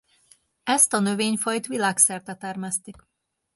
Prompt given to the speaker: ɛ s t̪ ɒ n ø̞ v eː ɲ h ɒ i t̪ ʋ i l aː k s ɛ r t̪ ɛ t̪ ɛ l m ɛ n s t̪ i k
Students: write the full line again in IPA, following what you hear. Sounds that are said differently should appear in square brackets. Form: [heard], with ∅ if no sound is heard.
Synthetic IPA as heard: ɛ s t̪ ɒ n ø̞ v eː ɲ [f] ɒ [j] t̪ ʋ i l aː k s ɛ r t̪ ɛ t̪ ɛ [r] m ɛ [∅] s t̪ i k